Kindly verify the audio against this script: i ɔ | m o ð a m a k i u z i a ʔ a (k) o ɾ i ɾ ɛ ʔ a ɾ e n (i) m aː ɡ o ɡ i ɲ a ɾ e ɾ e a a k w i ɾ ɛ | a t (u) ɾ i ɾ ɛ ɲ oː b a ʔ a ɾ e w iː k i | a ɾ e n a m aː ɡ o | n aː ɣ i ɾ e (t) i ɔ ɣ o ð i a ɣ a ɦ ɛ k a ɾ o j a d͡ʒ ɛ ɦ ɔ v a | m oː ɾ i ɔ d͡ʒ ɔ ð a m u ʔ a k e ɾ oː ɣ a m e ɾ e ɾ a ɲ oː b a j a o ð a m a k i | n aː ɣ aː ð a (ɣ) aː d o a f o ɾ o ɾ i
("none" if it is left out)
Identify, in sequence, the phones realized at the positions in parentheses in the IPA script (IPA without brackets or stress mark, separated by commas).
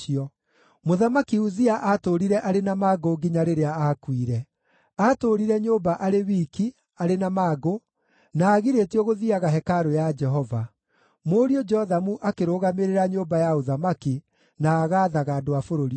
t, a, o, t, ɣ